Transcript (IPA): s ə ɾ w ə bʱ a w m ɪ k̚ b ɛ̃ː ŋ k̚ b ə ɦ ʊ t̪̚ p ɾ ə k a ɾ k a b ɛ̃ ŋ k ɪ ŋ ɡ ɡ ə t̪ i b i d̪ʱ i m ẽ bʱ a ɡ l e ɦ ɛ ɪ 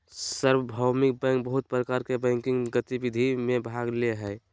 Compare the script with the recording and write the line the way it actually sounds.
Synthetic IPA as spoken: s ə ɾ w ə bʱ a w m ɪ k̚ b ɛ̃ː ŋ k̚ b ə ɦ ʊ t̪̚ p ɾ ə k a ɾ k e b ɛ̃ ŋ k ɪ ŋ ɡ ɡ ə t̪ i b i d̪ʱ i m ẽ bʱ a ɡ l e ɦ ɛ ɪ

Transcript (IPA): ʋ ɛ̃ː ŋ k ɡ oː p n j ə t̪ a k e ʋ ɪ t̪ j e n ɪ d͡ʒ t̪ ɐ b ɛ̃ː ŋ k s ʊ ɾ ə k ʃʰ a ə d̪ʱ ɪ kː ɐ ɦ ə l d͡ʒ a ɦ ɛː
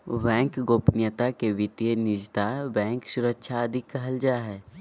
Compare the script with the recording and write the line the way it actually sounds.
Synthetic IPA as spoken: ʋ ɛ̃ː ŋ k ɡ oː p n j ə t̪ a k e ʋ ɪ t̪ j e n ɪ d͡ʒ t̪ a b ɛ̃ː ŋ k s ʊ ɾ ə k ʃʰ a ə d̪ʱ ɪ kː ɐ ɦ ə l d͡ʒ a ɦ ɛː

